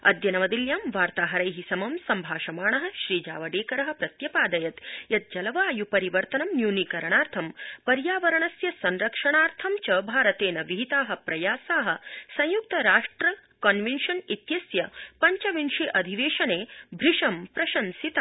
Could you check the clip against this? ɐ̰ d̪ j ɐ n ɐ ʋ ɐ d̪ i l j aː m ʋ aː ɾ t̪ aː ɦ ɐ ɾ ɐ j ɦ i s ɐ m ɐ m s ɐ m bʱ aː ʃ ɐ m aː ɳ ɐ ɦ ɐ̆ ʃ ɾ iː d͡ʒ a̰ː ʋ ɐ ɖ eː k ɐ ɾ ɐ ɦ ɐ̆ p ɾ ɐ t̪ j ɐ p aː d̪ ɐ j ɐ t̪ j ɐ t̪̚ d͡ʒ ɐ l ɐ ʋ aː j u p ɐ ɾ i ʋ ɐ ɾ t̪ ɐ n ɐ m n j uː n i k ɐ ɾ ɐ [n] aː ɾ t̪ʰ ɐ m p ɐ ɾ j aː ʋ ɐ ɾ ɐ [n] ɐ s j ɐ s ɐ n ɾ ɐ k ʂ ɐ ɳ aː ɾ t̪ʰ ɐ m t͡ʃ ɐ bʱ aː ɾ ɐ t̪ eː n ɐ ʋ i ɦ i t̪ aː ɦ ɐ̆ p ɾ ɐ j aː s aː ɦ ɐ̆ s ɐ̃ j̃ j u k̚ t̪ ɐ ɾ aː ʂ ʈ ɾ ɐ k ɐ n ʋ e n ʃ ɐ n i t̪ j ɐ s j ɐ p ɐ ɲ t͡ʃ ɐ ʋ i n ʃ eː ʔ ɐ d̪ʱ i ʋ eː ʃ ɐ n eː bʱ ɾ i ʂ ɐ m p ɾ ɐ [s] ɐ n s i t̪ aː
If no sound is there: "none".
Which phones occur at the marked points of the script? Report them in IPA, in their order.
ɳ, ɳ, ʃ

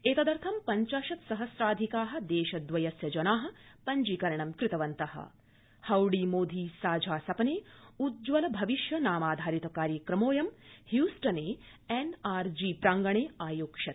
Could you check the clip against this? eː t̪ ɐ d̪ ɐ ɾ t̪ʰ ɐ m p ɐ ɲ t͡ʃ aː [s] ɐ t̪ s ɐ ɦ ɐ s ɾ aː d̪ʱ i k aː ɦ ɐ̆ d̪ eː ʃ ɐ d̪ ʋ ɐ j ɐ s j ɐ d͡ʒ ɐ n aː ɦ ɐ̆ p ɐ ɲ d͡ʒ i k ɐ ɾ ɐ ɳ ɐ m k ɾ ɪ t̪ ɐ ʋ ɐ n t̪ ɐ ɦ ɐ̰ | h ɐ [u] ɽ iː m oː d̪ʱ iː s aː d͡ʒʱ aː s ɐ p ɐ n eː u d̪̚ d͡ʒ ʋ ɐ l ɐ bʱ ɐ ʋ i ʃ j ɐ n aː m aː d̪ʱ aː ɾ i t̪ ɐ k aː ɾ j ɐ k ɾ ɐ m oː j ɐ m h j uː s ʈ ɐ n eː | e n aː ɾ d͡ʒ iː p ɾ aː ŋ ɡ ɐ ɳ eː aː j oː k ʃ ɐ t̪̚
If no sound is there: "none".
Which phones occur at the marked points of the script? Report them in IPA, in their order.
ʃ, w

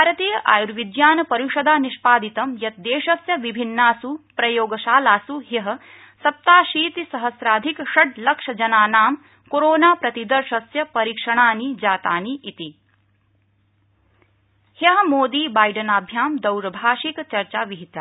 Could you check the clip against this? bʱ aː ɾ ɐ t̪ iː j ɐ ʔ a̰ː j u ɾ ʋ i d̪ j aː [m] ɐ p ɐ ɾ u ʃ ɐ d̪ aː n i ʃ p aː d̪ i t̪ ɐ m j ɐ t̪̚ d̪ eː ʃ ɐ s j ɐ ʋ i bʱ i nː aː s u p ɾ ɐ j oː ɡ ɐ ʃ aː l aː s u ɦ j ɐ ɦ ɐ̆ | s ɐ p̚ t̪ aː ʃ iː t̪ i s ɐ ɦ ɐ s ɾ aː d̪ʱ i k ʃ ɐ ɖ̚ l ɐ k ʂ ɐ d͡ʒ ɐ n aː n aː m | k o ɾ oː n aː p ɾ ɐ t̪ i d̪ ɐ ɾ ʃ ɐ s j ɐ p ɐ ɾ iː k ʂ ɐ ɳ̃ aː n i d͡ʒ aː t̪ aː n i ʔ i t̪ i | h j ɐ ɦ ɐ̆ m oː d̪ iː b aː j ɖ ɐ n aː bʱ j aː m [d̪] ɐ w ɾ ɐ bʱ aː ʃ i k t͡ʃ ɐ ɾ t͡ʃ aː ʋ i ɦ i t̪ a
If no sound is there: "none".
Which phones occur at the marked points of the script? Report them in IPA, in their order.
n, d̪

